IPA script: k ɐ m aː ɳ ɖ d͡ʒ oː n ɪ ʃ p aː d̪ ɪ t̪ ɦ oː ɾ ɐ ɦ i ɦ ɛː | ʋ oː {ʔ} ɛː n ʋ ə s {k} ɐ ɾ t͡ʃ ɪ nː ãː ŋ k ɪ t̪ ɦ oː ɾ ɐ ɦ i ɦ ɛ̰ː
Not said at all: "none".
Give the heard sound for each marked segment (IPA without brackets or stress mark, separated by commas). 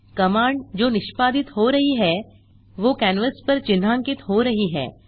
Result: k, p